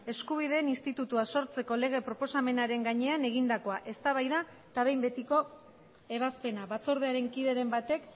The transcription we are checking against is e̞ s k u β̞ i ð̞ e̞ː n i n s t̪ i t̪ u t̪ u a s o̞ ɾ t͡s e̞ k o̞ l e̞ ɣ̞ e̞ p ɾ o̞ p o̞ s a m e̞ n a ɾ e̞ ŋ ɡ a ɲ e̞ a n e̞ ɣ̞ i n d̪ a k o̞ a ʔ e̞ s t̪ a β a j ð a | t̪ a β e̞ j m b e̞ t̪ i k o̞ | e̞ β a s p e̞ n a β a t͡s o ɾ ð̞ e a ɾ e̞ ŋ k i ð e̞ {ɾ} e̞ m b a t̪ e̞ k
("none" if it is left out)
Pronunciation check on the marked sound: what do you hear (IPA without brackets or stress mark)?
ɾ